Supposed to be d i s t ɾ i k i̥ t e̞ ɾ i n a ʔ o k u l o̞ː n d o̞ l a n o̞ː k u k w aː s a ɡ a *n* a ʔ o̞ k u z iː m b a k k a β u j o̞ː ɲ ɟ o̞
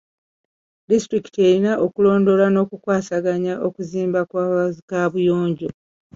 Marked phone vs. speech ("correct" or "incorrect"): incorrect